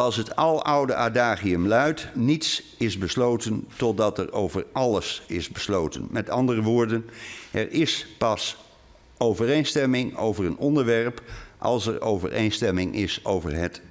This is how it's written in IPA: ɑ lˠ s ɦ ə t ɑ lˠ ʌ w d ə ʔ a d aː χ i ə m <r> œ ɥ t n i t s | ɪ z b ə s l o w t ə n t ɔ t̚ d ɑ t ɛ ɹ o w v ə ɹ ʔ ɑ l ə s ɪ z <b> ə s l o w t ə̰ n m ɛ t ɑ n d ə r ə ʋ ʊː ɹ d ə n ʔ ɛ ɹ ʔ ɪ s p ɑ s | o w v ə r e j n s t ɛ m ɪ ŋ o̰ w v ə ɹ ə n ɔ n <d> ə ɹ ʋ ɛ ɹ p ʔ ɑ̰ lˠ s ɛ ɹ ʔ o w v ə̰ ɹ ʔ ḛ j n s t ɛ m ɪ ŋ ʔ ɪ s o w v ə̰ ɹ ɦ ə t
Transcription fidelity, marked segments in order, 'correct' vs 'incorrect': incorrect, correct, correct

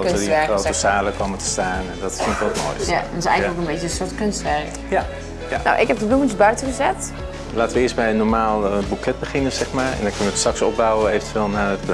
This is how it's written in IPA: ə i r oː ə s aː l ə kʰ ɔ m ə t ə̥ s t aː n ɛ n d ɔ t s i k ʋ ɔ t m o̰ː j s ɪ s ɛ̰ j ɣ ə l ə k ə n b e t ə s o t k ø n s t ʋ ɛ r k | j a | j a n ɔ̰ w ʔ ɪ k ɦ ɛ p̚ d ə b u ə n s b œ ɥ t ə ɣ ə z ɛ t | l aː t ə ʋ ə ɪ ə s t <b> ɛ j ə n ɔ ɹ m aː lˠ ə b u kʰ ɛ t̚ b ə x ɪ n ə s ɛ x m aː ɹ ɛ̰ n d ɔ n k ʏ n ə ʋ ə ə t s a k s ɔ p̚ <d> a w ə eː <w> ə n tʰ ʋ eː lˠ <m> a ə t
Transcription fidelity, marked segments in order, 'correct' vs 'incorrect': correct, incorrect, incorrect, incorrect

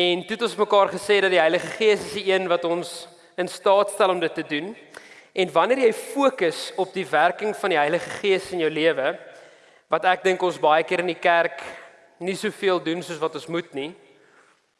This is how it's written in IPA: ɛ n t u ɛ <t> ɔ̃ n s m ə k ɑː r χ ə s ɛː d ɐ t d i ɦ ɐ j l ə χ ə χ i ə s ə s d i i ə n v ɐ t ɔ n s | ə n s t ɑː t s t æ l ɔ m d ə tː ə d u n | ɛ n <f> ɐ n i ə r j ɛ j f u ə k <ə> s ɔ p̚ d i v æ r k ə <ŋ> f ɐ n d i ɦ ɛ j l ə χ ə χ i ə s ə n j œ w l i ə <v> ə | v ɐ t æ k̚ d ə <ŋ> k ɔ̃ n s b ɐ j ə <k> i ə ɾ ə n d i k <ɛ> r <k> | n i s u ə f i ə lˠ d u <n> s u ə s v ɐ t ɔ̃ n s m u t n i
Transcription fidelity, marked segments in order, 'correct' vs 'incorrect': correct, incorrect, correct, correct, correct, correct, correct, incorrect, correct, correct

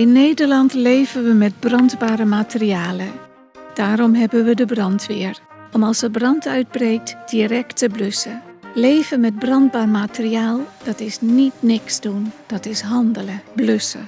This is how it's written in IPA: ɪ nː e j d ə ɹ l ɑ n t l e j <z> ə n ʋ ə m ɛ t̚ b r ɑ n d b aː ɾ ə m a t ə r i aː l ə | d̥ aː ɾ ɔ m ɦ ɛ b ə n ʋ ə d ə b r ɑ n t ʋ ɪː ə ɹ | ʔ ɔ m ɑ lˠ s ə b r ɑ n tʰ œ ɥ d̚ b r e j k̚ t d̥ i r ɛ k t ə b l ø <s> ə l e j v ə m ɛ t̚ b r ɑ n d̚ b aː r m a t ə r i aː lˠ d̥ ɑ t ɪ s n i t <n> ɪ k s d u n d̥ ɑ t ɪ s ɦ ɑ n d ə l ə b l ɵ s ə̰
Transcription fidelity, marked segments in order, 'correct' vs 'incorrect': incorrect, correct, correct

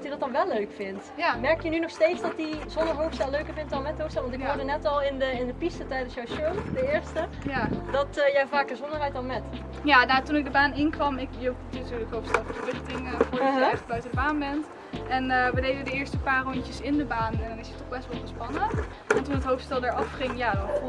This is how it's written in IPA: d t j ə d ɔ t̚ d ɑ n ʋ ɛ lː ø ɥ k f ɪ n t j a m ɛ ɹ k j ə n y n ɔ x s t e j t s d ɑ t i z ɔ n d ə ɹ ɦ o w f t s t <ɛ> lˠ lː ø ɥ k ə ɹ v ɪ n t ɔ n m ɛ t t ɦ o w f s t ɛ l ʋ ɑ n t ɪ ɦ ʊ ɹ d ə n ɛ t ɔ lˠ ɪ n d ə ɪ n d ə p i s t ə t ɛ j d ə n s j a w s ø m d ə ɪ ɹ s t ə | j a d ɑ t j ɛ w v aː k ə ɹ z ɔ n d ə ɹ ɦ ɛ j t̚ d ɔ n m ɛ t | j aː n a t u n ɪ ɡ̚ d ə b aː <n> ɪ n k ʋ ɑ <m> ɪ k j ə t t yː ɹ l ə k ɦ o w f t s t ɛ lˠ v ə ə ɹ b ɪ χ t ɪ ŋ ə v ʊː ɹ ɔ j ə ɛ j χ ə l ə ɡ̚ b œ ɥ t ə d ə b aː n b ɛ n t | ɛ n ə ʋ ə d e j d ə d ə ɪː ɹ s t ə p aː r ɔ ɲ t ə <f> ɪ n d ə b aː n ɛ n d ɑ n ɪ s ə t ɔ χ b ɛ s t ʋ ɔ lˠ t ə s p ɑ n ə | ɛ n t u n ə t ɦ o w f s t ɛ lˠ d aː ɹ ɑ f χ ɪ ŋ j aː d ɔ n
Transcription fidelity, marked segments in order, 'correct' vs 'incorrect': correct, correct, correct, incorrect

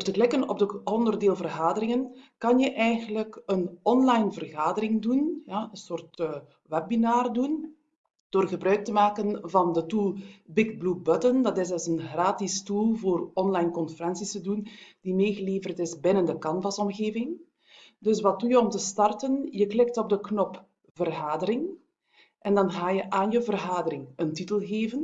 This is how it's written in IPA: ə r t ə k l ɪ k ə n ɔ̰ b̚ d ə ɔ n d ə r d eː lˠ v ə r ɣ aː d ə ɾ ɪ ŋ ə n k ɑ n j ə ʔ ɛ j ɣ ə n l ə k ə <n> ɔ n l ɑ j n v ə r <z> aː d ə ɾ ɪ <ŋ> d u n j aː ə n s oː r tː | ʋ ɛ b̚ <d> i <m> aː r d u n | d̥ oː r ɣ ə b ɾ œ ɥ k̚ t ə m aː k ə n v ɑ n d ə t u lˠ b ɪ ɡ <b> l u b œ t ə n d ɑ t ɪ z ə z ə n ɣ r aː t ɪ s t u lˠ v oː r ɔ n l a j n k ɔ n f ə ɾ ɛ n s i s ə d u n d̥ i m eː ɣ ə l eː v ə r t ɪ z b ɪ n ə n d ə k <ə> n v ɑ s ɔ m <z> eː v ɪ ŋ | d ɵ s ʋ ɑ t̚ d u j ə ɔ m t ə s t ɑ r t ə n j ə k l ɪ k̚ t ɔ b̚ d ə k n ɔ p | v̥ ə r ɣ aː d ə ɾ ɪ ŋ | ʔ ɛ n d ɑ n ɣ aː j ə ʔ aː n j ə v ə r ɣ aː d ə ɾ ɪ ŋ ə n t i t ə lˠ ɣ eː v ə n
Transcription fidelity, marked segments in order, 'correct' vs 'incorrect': correct, incorrect, correct, incorrect, incorrect, correct, incorrect, incorrect

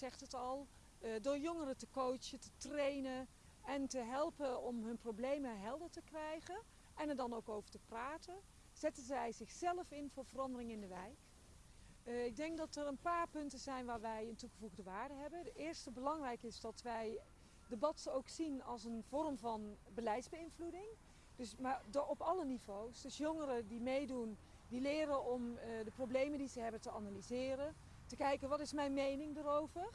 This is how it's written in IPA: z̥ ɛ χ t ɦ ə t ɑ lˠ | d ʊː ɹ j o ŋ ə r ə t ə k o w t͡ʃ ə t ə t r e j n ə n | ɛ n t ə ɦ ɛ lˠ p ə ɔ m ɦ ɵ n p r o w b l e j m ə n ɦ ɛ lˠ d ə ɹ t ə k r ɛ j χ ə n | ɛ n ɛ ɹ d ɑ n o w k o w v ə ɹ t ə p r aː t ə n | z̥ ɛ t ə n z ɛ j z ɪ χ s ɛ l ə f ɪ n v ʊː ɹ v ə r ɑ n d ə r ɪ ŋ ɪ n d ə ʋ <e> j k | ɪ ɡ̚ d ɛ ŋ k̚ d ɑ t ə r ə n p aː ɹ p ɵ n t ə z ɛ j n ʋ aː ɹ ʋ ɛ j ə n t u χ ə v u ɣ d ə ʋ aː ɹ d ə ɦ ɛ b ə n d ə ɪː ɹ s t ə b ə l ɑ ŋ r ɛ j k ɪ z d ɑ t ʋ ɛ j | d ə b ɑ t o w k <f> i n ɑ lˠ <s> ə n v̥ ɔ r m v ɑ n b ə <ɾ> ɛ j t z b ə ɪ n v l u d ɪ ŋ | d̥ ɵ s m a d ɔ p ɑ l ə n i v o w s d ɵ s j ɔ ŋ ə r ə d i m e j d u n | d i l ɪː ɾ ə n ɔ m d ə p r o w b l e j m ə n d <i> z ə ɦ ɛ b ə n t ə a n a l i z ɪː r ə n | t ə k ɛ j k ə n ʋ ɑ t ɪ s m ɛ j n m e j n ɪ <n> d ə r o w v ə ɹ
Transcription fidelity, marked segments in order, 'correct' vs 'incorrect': incorrect, incorrect, correct, incorrect, correct, incorrect

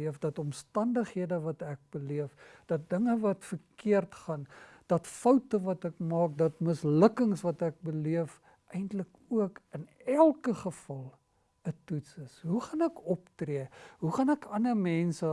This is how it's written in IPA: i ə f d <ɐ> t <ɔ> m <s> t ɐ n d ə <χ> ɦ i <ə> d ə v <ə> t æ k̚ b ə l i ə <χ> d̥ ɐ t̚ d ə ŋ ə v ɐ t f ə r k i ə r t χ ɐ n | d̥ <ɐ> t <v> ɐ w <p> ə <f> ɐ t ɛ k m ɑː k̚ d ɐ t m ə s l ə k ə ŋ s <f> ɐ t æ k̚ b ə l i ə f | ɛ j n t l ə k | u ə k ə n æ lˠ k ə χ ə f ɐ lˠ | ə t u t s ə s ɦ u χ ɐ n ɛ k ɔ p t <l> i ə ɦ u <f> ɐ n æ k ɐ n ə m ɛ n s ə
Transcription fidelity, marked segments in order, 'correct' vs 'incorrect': correct, correct, correct, correct, correct, incorrect, incorrect, correct, incorrect, incorrect, incorrect, incorrect, incorrect, incorrect

